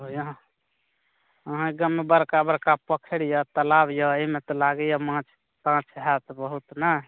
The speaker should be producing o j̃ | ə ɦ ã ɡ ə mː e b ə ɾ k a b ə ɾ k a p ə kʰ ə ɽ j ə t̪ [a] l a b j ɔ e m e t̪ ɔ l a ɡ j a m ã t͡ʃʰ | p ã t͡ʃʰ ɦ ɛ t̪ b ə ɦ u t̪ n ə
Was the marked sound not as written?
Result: yes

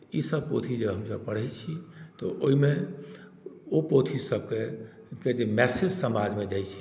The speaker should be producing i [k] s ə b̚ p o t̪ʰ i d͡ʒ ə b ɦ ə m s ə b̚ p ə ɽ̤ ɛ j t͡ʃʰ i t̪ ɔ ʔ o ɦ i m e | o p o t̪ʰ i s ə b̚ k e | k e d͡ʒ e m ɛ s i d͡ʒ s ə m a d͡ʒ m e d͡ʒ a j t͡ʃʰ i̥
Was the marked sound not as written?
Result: yes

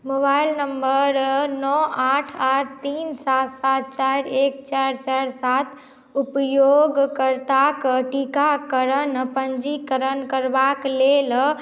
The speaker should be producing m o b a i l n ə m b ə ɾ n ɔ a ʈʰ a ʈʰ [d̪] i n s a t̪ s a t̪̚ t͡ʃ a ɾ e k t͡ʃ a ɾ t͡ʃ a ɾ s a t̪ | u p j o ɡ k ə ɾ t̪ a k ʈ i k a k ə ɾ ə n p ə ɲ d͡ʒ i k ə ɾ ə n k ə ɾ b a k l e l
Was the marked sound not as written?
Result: yes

